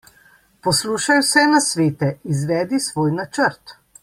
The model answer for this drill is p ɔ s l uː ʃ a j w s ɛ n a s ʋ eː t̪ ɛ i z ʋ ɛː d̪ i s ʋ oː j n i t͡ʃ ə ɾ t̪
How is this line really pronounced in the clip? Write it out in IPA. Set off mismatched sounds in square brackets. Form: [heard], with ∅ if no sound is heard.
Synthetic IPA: p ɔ s l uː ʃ a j w s ɛ n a s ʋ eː t̪ ɛ i z ʋ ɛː d̪ i s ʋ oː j n [a] t͡ʃ ə ɾ t̪